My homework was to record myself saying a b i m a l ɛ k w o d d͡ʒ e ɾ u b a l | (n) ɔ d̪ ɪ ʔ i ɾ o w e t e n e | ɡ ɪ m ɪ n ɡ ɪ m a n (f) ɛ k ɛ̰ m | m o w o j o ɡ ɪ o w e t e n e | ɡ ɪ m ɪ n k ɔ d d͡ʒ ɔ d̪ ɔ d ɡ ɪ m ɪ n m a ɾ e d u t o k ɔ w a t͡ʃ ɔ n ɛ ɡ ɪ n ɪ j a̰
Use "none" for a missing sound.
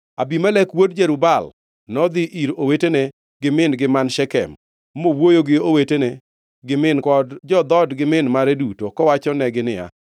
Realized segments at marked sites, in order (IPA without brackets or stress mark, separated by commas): n, ʃ